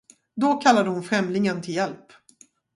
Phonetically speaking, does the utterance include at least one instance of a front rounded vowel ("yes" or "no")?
no